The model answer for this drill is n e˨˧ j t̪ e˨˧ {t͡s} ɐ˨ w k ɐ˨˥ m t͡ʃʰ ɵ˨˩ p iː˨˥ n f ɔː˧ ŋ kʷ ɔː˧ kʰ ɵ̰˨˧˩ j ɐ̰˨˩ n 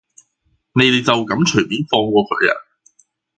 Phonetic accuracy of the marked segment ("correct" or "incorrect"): correct